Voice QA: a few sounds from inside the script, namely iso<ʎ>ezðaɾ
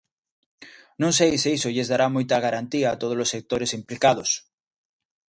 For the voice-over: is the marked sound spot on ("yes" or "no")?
yes